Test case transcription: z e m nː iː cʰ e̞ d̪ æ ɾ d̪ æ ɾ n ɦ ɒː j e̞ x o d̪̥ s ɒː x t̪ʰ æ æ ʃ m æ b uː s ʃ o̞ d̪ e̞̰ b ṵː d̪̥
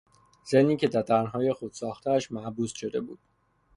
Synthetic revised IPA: z e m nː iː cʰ e̞ d̪ æ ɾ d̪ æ ɾ n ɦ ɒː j e̞ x o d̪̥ s ɒː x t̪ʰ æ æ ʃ m æ b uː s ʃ o̞ d̪ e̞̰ b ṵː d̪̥